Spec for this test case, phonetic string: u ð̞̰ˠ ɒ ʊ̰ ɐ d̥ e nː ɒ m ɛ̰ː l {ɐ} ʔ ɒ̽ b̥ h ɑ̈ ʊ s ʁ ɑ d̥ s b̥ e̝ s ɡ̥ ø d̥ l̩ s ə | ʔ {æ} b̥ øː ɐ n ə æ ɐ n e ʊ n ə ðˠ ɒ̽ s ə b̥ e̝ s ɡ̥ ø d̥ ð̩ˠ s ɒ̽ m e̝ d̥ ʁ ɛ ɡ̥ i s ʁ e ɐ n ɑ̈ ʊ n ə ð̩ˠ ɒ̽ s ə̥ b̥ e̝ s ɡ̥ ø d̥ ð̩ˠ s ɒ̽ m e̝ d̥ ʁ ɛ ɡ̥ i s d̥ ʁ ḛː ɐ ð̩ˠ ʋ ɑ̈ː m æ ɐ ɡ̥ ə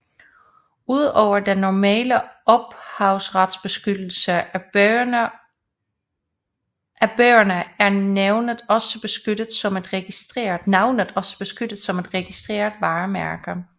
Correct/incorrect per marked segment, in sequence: incorrect, correct

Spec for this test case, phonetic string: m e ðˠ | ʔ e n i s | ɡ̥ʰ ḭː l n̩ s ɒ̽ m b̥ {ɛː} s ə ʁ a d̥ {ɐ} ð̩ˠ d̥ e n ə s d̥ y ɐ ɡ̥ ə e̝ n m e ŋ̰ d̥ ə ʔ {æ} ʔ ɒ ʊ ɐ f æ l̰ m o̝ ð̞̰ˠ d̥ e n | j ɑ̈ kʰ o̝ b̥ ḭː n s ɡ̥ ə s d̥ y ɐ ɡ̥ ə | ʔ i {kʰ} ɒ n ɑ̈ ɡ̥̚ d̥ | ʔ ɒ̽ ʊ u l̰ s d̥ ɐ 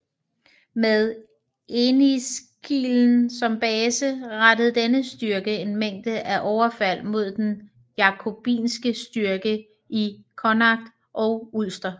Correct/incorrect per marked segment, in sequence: correct, incorrect, correct, correct

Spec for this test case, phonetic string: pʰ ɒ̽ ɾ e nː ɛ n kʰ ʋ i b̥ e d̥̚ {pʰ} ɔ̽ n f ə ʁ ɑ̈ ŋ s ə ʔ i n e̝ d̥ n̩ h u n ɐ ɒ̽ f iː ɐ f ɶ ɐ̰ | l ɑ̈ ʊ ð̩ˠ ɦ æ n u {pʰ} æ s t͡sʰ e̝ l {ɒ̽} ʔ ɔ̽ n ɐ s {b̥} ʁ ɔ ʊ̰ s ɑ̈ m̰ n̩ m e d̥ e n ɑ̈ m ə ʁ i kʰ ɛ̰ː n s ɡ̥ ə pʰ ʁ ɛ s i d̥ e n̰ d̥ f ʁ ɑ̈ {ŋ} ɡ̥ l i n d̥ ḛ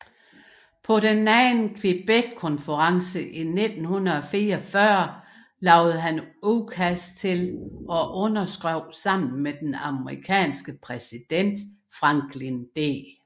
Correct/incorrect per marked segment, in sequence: incorrect, incorrect, correct, incorrect, correct

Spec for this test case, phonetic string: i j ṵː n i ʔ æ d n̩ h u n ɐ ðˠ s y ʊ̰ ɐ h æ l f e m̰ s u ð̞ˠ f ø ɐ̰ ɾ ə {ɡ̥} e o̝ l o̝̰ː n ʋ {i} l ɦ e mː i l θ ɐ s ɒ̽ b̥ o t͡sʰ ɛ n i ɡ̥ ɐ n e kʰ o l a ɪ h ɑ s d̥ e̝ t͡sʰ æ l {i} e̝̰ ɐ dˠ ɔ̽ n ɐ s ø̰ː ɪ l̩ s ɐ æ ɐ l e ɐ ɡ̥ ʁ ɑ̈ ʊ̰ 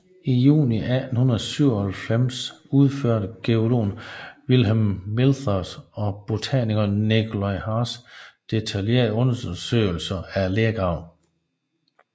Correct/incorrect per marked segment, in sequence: correct, correct, incorrect

